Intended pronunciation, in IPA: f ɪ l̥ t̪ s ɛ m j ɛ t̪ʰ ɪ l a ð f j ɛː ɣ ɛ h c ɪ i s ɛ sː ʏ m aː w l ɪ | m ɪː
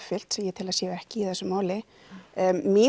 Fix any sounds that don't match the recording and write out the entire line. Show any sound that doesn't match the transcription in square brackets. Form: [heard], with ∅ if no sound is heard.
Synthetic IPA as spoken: f ɪ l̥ t̪ s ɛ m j ɛ t̪ʰ ɪ l a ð [s] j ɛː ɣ ɛ h c ɪ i [θ] ɛ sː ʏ m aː w l ɪ | m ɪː